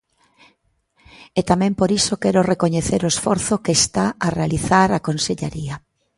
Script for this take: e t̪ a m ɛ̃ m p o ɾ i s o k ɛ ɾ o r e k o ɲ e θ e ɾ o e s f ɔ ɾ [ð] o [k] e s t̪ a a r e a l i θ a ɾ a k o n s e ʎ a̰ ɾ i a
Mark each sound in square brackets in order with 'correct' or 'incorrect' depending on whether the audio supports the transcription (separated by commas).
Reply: incorrect, correct